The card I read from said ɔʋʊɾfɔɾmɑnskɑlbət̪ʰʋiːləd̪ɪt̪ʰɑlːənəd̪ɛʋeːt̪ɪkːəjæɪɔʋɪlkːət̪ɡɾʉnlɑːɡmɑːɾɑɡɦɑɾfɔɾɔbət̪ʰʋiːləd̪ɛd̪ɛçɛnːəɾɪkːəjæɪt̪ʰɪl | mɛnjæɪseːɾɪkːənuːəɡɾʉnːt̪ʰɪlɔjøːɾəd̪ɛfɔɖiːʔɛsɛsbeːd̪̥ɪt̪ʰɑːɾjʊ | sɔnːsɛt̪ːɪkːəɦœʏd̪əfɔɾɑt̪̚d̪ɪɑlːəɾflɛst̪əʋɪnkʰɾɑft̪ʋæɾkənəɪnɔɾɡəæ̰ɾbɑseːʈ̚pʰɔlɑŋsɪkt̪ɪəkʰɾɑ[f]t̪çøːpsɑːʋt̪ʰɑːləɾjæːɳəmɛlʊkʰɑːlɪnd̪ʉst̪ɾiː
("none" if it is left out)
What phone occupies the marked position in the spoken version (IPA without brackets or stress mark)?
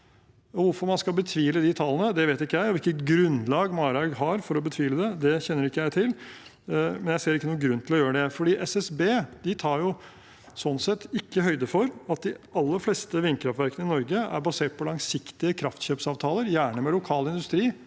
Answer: f